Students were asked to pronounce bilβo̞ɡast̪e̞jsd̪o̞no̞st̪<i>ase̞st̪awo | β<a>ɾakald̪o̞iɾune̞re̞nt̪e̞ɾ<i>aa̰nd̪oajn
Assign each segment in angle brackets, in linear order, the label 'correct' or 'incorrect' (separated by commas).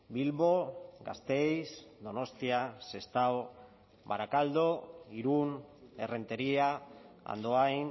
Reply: correct, correct, correct